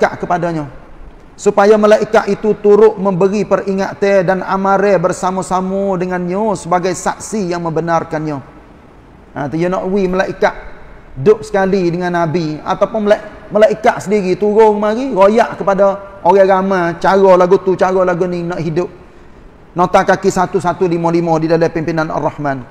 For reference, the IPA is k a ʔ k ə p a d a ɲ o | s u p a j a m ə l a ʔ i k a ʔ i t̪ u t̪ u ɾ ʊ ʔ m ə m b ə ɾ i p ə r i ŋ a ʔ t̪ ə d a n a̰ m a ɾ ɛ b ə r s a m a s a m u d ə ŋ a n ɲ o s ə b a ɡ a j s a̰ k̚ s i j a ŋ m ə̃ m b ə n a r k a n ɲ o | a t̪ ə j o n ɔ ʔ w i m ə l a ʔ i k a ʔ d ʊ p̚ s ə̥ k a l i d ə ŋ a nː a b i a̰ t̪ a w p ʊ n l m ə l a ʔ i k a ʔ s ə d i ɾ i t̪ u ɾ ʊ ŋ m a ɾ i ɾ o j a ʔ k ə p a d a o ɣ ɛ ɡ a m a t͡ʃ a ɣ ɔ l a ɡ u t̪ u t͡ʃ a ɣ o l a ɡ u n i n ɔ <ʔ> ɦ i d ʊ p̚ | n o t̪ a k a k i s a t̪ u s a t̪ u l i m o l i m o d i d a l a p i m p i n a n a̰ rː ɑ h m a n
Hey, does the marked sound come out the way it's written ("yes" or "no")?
yes